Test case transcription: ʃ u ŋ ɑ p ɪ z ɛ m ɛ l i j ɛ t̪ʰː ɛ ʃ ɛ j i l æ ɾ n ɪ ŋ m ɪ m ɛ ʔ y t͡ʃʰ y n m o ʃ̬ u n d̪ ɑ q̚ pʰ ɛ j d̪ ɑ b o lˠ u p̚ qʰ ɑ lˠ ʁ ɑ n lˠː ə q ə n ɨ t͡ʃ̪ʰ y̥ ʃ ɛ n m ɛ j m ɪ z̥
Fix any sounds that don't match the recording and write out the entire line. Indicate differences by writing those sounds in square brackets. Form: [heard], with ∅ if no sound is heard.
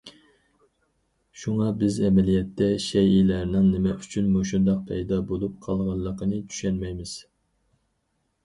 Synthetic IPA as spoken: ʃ u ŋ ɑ [b] ɪ z ɛ m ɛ l i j ɛ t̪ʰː ɛ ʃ ɛ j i l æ ɾ n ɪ ŋ [n] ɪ m ɛ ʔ y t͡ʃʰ y n m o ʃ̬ u n d̪ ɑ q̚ pʰ ɛ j d̪ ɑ b o lˠ u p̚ qʰ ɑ lˠ ʁ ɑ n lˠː ə q ə n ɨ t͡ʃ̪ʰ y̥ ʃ ɛ n m ɛ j m ɪ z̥